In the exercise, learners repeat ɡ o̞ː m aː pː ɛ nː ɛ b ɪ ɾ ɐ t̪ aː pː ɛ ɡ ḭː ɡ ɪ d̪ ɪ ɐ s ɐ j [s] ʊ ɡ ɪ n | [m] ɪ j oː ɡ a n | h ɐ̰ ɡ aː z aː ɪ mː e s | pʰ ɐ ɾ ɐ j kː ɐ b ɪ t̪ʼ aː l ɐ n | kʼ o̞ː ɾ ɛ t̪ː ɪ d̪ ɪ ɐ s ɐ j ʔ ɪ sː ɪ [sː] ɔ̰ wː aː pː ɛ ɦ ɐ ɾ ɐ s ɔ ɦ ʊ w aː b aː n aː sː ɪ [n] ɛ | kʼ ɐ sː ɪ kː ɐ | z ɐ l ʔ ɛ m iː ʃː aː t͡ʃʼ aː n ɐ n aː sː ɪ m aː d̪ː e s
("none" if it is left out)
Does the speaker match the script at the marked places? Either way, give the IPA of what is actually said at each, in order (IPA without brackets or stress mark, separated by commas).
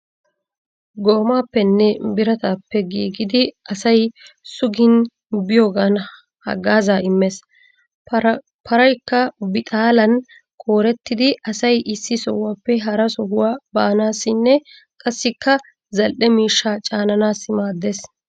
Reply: s, b, s, nː